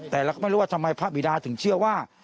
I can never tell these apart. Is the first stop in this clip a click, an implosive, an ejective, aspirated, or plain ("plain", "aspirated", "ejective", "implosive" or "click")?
plain